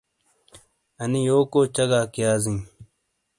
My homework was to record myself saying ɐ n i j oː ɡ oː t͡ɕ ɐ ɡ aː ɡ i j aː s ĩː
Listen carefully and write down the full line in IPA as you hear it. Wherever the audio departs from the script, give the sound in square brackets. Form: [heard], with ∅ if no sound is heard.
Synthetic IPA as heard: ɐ n i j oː [k] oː t͡ɕ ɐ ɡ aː [k] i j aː [z] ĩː